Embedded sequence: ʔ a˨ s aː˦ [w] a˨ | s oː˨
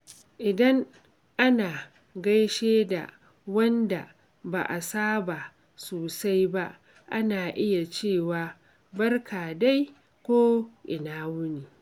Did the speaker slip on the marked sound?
yes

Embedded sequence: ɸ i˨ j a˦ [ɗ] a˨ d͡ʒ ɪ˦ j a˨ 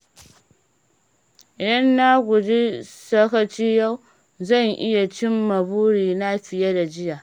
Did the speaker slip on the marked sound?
yes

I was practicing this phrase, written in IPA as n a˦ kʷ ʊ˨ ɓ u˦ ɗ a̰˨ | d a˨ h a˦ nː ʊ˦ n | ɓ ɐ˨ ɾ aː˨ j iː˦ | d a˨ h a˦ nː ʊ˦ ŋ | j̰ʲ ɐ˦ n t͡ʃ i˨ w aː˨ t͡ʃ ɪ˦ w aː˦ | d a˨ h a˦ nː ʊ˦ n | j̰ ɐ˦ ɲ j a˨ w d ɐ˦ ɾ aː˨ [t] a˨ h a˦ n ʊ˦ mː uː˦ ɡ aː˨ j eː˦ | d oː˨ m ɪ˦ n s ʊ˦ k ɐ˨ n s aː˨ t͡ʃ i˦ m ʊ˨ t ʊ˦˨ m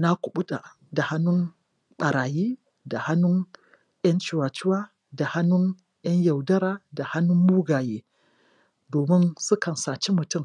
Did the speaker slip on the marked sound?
yes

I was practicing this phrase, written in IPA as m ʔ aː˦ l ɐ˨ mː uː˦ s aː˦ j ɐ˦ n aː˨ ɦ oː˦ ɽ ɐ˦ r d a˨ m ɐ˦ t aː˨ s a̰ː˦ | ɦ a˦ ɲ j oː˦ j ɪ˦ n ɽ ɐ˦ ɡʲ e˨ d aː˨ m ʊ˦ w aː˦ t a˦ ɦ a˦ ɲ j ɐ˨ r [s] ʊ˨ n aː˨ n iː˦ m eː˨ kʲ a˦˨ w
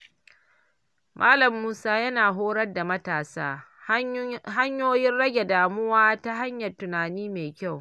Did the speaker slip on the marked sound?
yes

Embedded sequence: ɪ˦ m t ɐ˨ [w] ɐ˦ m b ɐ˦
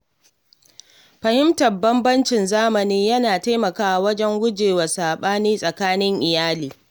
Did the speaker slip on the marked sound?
yes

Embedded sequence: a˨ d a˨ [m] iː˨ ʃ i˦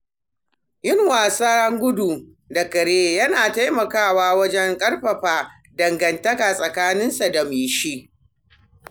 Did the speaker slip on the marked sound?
no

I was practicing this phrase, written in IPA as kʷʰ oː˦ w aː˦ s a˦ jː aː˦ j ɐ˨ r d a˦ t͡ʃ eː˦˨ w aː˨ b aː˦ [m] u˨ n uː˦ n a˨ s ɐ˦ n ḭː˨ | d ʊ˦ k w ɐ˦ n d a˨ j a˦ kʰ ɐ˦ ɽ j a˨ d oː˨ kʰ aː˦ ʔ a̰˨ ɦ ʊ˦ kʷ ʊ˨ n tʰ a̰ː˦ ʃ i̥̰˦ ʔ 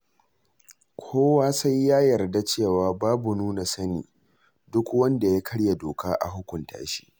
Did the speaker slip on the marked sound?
yes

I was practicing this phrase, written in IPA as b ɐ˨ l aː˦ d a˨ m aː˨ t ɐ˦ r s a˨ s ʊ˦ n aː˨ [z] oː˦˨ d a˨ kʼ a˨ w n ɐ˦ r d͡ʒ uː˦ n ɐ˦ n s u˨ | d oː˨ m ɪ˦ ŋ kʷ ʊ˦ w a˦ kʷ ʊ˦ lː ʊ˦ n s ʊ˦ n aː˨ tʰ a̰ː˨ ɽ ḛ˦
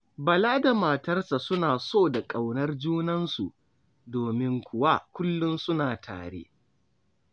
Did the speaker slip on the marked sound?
yes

